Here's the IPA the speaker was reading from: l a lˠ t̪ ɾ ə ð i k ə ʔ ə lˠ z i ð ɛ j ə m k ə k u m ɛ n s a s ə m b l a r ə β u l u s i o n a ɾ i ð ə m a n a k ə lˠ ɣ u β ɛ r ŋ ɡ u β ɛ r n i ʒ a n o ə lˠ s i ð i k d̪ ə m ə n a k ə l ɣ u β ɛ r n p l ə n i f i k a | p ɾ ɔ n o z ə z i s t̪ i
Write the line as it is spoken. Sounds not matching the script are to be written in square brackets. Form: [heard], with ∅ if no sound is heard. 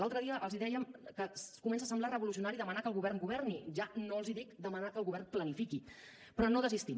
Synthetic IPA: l a lˠ t̪ ɾ ə ð i [∅] ə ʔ ə lˠ z i ð ɛ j ə m k ə k u m ɛ n s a s ə m b l a r ə β u l u s i [u] n a ɾ i ð ə m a n a k ə lˠ ɣ u β ɛ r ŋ ɡ u β ɛ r n i ʒ a n o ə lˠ [z] i ð i k d̪ ə m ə n a k ə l ɣ u β ɛ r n p l ə n i f i k [i] | p ɾ ɔ n o [ð] ə z i s t̪ i

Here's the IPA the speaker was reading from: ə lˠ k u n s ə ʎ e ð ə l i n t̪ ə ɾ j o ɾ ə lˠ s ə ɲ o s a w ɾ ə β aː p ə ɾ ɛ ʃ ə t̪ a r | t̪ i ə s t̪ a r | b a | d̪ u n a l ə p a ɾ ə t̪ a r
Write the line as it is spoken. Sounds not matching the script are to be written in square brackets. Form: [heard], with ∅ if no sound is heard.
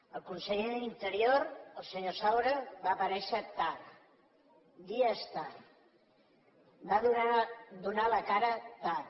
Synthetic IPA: ə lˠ k u n s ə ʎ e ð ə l i n t̪ ə ɾ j o ɾ ə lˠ s ə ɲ o s a w ɾ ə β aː p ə ɾ ɛ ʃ ə t̪ a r | [d̪] i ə s t̪ a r | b a | d̪ u n a l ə [k] a ɾ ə t̪ a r

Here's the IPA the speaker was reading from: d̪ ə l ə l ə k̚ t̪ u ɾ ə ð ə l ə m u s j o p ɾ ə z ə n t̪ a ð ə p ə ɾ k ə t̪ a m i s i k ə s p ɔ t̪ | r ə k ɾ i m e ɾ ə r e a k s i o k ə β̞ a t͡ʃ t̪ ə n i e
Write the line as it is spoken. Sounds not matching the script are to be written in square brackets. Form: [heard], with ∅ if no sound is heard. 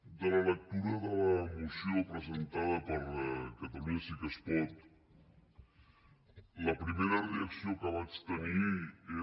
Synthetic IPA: d̪ ə l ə l ə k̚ t̪ u ɾ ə ð ə l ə m u s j o p ɾ ə z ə n t̪ a ð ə p ə ɾ k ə t̪ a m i s i k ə s p ɔ t̪ | [l] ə [p] ɾ i m e ɾ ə r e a k s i o k ə β̞ a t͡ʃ t̪ ə n i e

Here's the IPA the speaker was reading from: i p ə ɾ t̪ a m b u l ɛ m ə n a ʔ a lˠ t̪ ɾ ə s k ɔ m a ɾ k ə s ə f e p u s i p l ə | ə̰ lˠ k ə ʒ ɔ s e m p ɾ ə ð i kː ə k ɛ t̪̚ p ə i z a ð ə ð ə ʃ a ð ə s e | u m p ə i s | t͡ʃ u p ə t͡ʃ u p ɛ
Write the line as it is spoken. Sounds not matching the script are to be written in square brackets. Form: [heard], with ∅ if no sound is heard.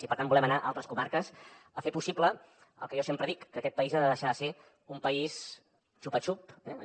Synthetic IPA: i p ə ɾ t̪ a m b u l ɛ m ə n a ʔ a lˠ t̪ ɾ ə s k [u] m a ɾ k ə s ə f e p u s i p l ə | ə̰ lˠ k ə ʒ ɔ s e m p ɾ ə ð i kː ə k ɛ t̪̚ p ə i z a ð ə ð ə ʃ a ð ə s e | u m p ə i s | t͡ʃ u p ə t͡ʃ u p ɛ

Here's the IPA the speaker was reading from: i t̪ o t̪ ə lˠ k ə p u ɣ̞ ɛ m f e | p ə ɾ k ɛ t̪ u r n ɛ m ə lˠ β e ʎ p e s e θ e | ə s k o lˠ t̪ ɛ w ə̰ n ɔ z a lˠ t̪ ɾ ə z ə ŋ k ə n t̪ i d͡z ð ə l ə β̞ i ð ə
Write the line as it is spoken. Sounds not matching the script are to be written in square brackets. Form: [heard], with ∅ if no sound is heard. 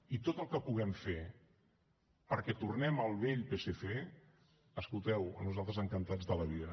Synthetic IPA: i t̪ o t̪ ə lˠ k ə p u ɣ̞ ɛ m f e | p ə ɾ k ɛ t̪ u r n ɛ m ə lˠ β e ʎ p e s e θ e | ə s k [u] lˠ t̪ ɛ w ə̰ n [u] z a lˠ t̪ ɾ ə z ə ŋ k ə n t̪ [a] d͡z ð ə l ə β̞ i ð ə

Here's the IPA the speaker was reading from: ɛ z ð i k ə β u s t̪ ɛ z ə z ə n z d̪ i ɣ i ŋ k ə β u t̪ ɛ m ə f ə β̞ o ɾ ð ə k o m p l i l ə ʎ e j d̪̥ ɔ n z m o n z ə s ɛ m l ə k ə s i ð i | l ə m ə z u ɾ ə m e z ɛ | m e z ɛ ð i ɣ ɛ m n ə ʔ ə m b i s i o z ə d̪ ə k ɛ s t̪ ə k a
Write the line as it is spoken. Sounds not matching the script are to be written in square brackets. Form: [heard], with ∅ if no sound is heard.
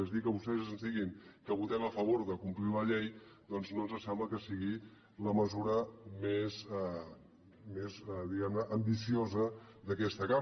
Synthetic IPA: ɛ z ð i k ə β u s t̪ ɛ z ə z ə n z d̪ i ɣ i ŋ k ə β u t̪ ɛ m ə f ə β̞ o ɾ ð ə k [u] m p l i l ə ʎ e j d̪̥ ɔ n z [n] o n z ə s ɛ m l ə k ə s i [ɣ] i | l ə m ə z u ɾ ə m e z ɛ | m e z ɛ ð i ɣ ɛ m n ə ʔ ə m b i s i o z ə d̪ ə k ɛ s t̪ ə k a

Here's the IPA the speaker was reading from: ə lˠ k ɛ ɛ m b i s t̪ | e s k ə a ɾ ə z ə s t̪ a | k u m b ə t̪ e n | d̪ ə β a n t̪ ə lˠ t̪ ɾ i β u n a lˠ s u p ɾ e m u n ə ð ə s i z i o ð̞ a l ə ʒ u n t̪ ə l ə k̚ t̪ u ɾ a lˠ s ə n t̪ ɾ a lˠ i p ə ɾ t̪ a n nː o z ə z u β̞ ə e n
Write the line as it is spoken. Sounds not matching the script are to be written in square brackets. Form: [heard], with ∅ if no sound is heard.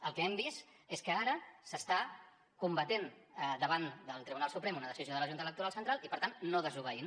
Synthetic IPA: ə lˠ k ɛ ɛ m b i s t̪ | e s k ə a ɾ ə [s] ə s t̪ a | k u m b ə t̪ e n | d̪ ə β a n [d̪] ə lˠ t̪ ɾ i β u n a lˠ s u p ɾ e m u n ə ð ə s i z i o ð̞ [ə] l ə ʒ u n t̪ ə l ə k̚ t̪ u ɾ a lˠ s ə n t̪ ɾ a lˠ i p ə ɾ t̪ a n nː o [ð] ə z u β̞ ə [i] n

